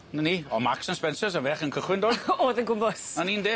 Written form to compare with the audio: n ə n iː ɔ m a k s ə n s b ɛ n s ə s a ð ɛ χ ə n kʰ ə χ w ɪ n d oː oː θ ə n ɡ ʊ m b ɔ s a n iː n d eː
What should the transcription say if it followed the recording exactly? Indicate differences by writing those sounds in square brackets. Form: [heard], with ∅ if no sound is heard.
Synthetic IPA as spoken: n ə n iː ɔ m a k s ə n s [p] ɛ n s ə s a [v] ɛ χ ə n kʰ ə χ w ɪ n d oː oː [ð] ə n ɡ ʊ m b ɔ s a n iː n d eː